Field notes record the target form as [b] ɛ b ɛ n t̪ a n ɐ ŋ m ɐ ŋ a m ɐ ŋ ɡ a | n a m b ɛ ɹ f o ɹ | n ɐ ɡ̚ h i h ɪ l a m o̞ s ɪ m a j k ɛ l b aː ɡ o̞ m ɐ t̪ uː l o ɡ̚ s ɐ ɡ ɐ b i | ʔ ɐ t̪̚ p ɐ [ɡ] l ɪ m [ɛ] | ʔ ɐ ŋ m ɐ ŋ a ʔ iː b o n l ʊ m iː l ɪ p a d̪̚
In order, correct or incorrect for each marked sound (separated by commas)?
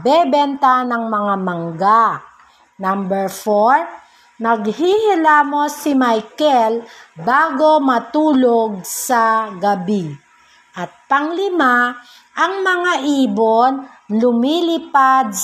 correct, incorrect, incorrect